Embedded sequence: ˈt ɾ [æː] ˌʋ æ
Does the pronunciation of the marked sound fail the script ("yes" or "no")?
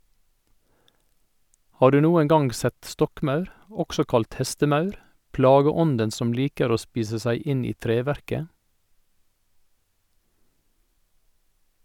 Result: yes